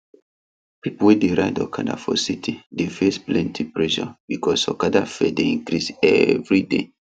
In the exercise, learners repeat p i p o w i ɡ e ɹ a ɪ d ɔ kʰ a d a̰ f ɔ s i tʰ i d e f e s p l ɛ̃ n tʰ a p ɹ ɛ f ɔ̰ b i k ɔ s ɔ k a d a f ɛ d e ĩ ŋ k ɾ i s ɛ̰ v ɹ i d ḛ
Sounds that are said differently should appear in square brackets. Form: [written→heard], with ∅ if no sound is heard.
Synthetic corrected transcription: p i p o w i [ɡ→d] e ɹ a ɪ d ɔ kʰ a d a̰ f ɔ s i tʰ i d e f e s p l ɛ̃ n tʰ [a→i] p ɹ ɛ [f→ʃ] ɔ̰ b i k ɔ s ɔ k a d a f ɛ d e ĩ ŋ k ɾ i s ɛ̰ v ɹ i d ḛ